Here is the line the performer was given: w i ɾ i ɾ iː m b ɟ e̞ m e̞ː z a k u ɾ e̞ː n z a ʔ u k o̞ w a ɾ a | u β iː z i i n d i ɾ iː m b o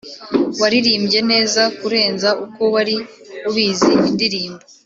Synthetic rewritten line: w a ɾ i ɾ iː m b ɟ e̞ n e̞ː z a k u ɾ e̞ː n z a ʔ u k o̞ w a ɾ i | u β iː z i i n d i ɾ iː m b o